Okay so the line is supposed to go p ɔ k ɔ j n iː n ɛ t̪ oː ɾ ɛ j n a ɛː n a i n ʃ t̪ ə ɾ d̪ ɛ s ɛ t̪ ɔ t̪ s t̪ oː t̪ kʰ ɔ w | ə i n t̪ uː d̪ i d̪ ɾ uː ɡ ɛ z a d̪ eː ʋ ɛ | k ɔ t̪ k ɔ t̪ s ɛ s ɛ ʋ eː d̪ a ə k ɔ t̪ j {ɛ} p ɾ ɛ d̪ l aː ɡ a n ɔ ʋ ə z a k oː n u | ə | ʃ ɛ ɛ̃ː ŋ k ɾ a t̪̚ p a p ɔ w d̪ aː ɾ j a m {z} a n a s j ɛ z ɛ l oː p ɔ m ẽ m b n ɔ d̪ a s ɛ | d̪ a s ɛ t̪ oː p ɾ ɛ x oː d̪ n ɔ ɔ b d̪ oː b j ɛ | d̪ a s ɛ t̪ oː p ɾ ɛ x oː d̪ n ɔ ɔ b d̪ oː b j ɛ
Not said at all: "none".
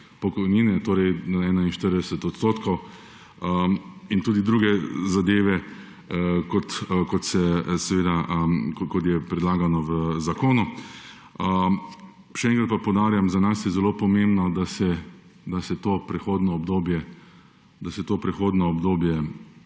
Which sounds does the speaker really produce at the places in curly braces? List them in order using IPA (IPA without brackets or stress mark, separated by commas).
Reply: ɛ, z